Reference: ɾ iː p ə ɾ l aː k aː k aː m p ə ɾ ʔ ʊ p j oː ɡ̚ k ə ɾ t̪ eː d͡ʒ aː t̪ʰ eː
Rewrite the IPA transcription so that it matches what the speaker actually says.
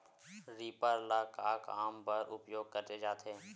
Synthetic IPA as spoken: ɾ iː p ə ɾ l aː k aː k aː m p ə ɾ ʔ ʊ p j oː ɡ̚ k ə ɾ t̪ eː d͡ʒ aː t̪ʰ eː